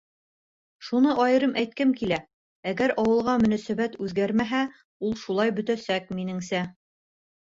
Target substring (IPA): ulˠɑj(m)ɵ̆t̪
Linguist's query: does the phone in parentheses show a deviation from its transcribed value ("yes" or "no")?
yes